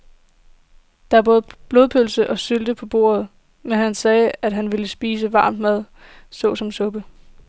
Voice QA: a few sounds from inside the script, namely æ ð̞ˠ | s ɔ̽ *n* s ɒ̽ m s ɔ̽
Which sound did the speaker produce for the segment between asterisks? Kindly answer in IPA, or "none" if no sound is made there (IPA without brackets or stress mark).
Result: none